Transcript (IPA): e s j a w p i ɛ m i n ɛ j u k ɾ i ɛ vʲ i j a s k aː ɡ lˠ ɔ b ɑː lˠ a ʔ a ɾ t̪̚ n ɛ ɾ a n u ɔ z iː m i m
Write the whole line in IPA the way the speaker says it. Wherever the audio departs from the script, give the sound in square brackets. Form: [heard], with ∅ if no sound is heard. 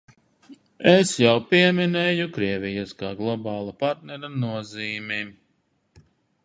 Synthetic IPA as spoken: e s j a w p i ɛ m i n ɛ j u k ɾ i ɛ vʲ i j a s k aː ɡ lˠ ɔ b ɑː lˠ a [p] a ɾ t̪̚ n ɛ ɾ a n u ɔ z iː m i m

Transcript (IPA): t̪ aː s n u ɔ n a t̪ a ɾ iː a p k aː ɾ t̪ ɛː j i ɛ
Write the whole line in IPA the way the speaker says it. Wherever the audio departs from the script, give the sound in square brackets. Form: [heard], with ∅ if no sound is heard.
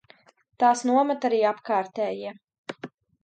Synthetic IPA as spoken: t̪ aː s n u ɔ [m] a t̪ a ɾ iː a p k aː ɾ t̪ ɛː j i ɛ

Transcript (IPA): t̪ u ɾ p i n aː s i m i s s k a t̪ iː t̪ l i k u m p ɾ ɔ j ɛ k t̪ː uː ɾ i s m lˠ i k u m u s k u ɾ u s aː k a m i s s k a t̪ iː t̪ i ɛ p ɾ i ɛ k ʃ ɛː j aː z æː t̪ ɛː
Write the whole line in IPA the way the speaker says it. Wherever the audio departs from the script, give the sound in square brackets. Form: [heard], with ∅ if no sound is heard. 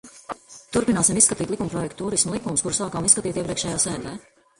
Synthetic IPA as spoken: t̪ u ɾ p i n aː s i m i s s k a t̪ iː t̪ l i k u m p ɾ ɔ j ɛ k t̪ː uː ɾ i s m lˠ i k u m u s k u ɾ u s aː k a m i s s k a t̪ iː t̪ i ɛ p ɾ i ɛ k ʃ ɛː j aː [s] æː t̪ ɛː

